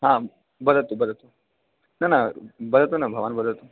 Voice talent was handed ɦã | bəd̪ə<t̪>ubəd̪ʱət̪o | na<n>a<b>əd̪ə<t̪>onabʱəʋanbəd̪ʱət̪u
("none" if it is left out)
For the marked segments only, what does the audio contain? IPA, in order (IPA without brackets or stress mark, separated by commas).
t̪, n, b, t̪